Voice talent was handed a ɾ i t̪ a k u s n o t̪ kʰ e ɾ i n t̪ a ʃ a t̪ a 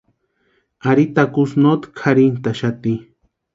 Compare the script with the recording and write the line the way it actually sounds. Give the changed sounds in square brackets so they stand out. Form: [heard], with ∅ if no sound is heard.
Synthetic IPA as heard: a ɾ i t̪ a k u s n o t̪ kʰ [a] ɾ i n t̪ a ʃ a t̪ [i]